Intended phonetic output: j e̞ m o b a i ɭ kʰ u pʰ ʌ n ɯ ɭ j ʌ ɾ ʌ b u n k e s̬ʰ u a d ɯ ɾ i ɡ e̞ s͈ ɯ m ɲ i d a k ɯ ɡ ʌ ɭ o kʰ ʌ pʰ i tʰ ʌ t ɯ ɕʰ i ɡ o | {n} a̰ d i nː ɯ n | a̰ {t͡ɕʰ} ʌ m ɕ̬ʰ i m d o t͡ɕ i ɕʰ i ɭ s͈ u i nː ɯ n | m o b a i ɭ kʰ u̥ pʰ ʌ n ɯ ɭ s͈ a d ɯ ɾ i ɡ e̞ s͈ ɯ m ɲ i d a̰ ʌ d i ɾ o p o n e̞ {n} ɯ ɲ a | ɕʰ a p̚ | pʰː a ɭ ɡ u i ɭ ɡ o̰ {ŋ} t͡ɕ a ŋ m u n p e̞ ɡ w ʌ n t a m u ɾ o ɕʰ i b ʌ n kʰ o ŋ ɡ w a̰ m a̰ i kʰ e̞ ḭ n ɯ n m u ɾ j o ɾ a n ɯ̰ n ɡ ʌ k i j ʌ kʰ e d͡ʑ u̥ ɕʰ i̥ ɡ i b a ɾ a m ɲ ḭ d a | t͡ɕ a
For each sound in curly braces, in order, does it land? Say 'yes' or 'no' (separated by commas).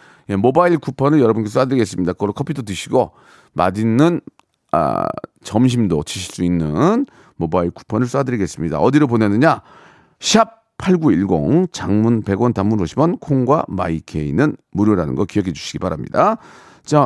no, no, yes, yes